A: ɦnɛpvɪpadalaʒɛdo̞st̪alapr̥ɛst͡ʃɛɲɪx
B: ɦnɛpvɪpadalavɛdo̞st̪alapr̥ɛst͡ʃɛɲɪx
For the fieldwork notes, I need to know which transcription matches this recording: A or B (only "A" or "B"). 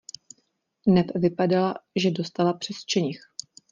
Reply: A